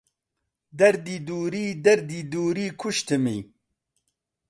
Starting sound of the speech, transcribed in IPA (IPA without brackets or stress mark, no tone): d̪